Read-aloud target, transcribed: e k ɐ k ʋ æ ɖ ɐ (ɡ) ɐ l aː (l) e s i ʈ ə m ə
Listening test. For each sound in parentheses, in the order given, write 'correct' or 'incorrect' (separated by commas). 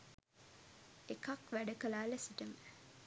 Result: incorrect, correct